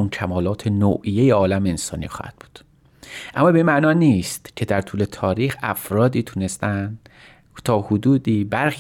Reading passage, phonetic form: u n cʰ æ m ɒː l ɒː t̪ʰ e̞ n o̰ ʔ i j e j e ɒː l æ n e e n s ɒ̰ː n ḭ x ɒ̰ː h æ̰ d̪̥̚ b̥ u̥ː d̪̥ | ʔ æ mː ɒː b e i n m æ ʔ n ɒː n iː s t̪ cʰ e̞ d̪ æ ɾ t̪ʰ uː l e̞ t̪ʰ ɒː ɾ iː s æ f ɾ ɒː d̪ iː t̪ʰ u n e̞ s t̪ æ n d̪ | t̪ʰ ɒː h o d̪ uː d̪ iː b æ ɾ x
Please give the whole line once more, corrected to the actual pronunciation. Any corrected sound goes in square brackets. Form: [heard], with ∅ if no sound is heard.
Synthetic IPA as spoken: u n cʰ æ m ɒː l ɒː t̪ʰ e̞ n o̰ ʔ i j e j e ɒː l æ [m] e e n s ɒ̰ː n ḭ x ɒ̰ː h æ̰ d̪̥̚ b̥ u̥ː d̪̥ | ʔ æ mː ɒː b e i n m æ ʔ n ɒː n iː s t̪ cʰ e̞ d̪ æ ɾ t̪ʰ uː l e̞ t̪ʰ ɒː ɾ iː [x] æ f ɾ ɒː d̪ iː t̪ʰ u n e̞ s t̪ æ n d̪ | t̪ʰ ɒː h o d̪ uː d̪ iː b æ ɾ x